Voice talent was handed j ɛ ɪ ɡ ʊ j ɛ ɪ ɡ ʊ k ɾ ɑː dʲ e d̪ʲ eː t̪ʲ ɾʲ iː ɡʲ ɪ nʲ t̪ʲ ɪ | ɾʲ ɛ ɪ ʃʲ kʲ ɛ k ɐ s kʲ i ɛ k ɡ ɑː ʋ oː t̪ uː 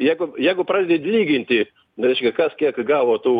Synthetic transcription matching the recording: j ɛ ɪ ɡ ʊ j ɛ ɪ ɡ ʊ p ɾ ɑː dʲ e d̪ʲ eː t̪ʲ lʲ iː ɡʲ ɪ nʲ t̪ʲ ɪ | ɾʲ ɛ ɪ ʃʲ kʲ ɛ k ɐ s kʲ i ɛ k ɡ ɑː ʋ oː t̪ uː